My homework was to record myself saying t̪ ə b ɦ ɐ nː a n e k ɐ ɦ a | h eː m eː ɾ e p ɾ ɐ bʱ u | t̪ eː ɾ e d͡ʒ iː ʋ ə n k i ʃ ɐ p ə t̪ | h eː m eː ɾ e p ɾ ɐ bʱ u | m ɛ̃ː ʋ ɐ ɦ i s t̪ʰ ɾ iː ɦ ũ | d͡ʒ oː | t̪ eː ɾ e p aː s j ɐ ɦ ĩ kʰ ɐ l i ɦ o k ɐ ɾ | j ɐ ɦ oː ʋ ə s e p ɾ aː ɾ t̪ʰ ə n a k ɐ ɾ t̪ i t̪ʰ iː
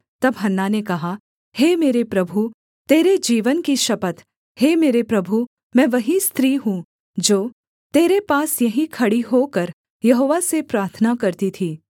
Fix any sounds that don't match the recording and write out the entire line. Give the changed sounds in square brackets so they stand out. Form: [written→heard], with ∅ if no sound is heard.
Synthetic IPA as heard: t̪ [ə→ɐ] b ɦ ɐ nː a n e k ɐ ɦ a | h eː m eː ɾ e p ɾ ɐ bʱ u | t̪ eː ɾ e d͡ʒ iː ʋ ə n k i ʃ ɐ p ə t̪ | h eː m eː ɾ e p ɾ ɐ bʱ u | m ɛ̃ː ʋ ɐ ɦ i s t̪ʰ ɾ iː ɦ ũ | d͡ʒ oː | t̪ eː ɾ e p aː s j ɐ ɦ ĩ kʰ ɐ [l→ɽ] i ɦ o k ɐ ɾ | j ɐ ɦ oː ʋ [ə→a] s e p ɾ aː ɾ t̪ʰ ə n a k ɐ ɾ t̪ i t̪ʰ iː